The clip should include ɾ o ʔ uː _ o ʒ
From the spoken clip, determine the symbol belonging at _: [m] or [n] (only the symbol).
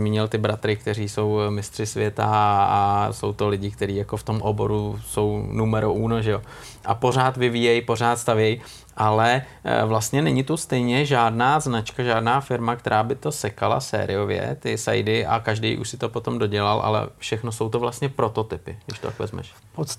n